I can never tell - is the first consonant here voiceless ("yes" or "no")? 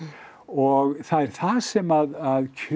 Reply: no